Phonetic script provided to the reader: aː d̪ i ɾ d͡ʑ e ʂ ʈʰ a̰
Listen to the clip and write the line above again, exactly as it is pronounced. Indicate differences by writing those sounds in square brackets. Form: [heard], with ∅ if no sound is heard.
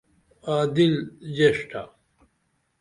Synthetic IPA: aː d̪ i [l] d͡ʑ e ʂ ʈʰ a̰